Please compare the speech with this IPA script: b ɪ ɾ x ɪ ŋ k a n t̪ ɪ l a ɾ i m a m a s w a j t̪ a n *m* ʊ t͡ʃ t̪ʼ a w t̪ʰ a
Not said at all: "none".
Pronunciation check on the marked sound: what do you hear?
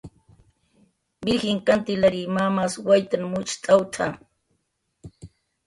m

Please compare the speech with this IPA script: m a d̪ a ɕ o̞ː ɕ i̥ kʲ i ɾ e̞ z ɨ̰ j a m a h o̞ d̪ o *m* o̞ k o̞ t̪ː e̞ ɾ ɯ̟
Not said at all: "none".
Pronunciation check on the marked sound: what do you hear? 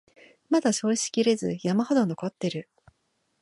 n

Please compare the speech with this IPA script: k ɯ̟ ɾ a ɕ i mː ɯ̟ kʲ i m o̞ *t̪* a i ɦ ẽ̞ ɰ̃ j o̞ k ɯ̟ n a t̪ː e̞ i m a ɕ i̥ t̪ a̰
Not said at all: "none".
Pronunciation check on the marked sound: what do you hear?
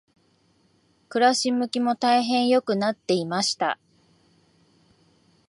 t̪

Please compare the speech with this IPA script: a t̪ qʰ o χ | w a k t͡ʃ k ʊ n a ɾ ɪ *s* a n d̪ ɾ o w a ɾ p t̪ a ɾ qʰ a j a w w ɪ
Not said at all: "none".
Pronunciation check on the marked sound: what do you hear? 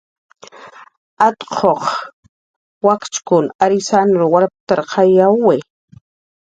s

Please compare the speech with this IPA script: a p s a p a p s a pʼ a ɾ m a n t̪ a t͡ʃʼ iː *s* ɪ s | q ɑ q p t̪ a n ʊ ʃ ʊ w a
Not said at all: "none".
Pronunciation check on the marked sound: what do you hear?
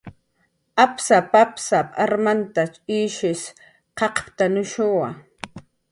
ʃ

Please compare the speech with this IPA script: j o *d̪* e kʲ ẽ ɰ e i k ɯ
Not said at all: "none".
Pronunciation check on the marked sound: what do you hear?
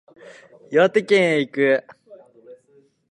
t̪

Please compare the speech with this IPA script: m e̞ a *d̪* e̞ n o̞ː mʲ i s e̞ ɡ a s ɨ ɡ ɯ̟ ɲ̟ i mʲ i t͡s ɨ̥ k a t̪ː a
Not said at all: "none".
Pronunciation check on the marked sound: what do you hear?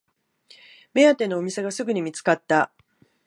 t̪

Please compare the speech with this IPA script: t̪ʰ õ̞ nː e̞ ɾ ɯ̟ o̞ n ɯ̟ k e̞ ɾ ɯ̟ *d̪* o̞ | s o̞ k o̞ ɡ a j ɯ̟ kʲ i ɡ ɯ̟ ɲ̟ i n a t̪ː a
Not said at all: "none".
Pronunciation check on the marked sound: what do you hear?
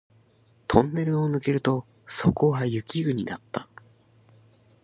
t̪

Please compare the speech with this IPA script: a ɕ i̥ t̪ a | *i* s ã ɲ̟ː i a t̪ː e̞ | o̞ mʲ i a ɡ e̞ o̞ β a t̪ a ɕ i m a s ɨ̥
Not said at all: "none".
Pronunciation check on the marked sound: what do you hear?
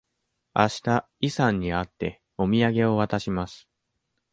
i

